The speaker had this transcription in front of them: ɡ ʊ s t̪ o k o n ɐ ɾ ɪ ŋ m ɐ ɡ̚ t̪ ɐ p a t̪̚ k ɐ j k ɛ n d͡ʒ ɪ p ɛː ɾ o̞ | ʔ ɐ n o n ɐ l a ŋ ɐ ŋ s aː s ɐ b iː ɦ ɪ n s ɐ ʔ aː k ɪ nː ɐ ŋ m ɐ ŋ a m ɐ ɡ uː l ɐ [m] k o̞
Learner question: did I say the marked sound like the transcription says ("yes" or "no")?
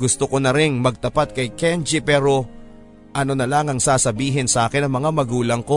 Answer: no